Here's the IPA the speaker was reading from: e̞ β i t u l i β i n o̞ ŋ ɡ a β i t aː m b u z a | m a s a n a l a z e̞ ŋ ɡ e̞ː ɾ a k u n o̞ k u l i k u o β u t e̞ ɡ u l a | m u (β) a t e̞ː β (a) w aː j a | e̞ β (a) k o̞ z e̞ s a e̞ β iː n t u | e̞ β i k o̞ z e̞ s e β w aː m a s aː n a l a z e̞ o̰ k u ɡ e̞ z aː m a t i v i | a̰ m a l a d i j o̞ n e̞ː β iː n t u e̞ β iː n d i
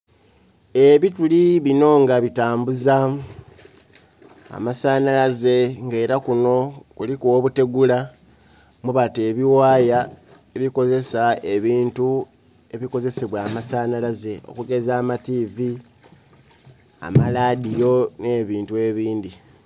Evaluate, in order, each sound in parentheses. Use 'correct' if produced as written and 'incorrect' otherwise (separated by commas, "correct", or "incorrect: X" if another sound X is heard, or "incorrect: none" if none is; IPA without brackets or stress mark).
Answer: correct, incorrect: i, incorrect: i